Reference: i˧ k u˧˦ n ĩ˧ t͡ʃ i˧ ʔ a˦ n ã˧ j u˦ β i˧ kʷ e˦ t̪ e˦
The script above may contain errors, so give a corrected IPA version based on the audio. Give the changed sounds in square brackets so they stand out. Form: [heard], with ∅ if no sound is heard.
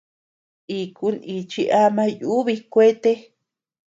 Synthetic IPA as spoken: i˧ k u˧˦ n [i˧] t͡ʃ i˧ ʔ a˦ [m] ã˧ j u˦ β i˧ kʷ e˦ t̪ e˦

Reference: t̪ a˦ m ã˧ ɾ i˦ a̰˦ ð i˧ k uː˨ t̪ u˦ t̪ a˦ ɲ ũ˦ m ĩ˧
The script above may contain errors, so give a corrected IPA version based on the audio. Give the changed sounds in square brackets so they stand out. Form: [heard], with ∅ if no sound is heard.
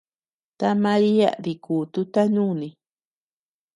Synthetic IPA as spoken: t̪ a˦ m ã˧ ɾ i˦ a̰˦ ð i˧ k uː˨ t̪ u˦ t̪ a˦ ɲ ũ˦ [n] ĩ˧

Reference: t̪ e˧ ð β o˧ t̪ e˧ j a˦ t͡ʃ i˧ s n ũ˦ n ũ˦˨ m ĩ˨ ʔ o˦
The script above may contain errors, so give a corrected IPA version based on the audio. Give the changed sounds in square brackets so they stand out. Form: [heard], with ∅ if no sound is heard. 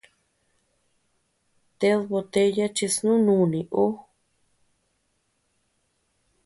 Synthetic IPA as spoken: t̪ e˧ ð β o˧ t̪ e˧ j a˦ t͡ʃ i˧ s n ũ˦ n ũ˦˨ [n] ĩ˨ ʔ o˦

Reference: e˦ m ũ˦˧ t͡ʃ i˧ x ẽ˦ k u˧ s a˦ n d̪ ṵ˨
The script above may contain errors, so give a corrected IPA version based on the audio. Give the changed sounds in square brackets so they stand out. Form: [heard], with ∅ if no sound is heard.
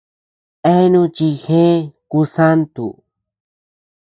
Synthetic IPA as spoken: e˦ [n] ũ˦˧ t͡ʃ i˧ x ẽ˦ k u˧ s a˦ n [t̪] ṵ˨

